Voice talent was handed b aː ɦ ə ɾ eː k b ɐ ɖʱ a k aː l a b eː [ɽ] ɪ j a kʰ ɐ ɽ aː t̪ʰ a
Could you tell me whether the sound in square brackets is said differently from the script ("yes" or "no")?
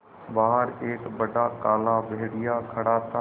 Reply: no